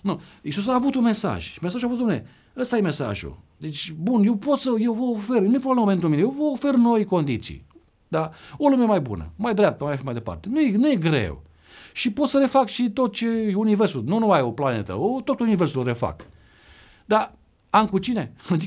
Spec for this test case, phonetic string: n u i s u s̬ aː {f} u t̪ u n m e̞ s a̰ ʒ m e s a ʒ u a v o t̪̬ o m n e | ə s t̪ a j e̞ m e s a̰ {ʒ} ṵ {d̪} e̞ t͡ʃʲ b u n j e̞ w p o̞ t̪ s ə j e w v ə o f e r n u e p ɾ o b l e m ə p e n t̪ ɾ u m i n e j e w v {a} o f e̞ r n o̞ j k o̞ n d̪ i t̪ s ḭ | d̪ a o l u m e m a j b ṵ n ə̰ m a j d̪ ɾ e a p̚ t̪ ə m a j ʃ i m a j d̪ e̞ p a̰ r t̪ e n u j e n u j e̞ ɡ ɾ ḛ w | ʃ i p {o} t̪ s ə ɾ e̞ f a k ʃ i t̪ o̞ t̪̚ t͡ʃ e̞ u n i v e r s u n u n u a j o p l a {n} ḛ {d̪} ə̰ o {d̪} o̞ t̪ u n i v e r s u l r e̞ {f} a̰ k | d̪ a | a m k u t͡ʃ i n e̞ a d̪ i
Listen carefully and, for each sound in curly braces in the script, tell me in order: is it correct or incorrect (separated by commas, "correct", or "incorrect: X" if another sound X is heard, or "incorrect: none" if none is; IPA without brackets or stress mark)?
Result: incorrect: v, correct, correct, incorrect: ə, correct, correct, incorrect: t̪, incorrect: t̪, correct